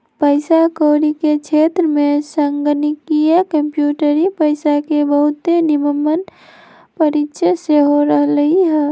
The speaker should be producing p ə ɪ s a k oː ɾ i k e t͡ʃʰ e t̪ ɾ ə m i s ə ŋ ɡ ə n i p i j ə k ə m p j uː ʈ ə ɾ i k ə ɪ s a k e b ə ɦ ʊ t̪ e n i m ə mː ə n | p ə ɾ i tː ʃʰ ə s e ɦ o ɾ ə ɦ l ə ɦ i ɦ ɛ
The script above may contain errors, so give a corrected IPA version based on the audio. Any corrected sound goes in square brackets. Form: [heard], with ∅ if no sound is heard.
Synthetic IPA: p ə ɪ s a k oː ɾ i k e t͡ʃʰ e t̪ ɾ ə m [e] s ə ŋ ɡ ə n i [k] i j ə k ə m p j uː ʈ ə ɾ i [p] ə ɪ s a k e b ə ɦ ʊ t̪ e n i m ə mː ə n | p ə ɾ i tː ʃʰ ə s e ɦ o ɾ ə ɦ l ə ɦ i ɦ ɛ